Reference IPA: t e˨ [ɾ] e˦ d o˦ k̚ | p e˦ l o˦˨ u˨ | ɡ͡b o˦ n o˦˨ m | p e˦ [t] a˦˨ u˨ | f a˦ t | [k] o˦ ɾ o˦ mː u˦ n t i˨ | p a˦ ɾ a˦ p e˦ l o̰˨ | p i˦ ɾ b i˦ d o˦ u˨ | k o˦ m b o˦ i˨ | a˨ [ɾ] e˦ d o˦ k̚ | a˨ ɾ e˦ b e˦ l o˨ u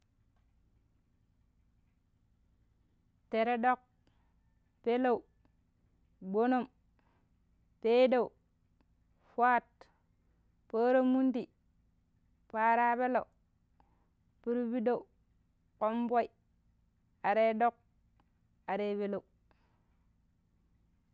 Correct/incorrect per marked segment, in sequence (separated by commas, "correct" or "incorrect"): correct, incorrect, incorrect, correct